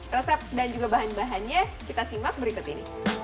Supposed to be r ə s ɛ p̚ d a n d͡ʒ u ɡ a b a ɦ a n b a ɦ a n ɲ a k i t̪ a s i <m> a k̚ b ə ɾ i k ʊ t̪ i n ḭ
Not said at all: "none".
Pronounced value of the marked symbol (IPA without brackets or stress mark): m